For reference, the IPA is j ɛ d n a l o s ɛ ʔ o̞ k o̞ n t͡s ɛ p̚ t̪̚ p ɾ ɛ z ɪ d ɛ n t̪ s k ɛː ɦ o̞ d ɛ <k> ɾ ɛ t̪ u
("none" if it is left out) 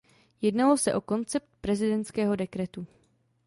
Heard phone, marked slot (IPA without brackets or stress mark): k